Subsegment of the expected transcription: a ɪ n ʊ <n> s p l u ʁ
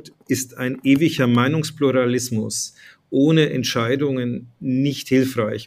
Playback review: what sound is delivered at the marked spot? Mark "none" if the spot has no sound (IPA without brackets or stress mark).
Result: ŋ